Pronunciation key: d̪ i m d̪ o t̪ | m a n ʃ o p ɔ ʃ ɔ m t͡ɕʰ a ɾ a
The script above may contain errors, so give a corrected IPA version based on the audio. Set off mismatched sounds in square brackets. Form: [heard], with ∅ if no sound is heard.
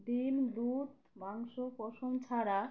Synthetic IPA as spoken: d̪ i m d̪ [u] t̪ | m a [ŋ] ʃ o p ɔ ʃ [o] m t͡ɕʰ a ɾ a